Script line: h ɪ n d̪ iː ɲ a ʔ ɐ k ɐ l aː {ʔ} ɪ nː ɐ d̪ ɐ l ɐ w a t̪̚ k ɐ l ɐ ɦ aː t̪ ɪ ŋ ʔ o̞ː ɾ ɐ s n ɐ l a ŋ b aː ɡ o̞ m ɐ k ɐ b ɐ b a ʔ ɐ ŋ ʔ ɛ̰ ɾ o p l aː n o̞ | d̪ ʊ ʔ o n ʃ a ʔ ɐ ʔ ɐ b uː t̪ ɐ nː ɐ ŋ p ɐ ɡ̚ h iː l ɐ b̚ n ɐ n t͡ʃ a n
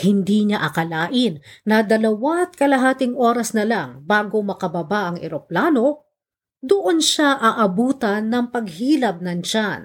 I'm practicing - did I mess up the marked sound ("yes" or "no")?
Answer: no